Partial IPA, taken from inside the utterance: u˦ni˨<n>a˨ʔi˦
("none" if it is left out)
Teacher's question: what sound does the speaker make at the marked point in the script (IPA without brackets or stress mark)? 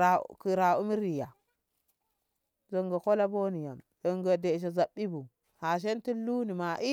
m